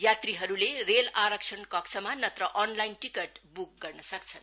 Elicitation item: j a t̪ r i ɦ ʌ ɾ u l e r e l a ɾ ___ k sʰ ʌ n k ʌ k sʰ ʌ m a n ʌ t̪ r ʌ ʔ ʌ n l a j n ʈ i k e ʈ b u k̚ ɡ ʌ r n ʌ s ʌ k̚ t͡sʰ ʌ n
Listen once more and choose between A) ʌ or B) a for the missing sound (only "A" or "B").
A